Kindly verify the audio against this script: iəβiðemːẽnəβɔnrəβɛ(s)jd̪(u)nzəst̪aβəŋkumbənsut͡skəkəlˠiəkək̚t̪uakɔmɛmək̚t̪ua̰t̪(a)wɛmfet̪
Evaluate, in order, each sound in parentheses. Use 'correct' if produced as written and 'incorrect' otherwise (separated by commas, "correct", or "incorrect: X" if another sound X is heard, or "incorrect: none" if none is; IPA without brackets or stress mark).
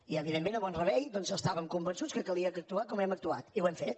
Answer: incorrect: none, incorrect: ɔ, incorrect: i